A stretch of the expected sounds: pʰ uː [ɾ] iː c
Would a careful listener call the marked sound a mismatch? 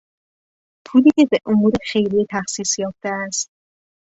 yes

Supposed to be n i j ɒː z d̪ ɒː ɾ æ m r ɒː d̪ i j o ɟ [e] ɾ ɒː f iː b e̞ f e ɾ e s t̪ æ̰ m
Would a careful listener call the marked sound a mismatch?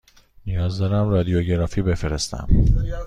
no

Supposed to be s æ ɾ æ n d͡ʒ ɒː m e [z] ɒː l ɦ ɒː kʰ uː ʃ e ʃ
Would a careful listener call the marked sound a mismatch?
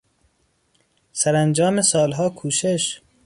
yes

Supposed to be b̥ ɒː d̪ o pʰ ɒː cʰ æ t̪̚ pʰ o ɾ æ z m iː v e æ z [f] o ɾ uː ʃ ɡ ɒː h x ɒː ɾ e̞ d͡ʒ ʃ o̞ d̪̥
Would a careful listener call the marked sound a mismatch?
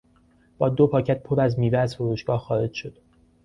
no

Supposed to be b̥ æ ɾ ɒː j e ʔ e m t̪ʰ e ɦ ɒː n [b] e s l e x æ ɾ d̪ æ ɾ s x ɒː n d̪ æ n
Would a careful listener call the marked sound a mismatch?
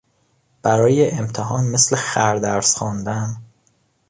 yes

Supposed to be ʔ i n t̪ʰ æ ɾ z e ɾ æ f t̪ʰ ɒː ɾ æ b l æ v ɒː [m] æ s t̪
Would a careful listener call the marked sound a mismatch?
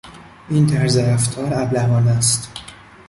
yes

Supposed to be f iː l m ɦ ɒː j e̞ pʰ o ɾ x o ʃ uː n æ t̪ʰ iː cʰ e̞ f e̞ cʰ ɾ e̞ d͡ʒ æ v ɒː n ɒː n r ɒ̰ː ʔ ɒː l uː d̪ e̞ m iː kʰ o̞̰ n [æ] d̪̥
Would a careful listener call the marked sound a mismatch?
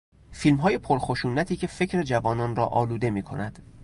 no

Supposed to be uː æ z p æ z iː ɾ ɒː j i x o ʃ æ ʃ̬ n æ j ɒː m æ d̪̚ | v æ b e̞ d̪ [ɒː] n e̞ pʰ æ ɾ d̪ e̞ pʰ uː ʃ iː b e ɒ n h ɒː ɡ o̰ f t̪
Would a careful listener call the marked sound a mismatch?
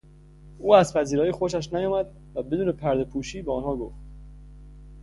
yes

